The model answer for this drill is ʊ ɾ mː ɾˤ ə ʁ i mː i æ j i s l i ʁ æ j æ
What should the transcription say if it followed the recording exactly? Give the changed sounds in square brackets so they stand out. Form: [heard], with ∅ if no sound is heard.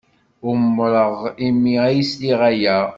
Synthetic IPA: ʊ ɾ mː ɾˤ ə ʁ i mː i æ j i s l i ʁ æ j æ